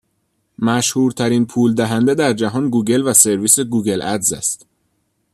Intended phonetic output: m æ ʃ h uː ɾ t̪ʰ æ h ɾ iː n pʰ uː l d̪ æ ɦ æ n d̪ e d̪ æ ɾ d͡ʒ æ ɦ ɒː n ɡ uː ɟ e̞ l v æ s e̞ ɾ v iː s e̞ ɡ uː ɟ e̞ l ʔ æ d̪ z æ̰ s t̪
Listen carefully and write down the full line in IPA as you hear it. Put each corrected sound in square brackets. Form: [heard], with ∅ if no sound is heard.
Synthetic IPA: m æ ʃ h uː ɾ t̪ʰ æ [∅] ɾ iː n pʰ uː l d̪ æ ɦ æ n d̪ e d̪ æ ɾ d͡ʒ æ ɦ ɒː n ɡ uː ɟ e̞ l v æ s e̞ ɾ v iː s e̞ ɡ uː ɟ e̞ l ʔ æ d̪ z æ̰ s t̪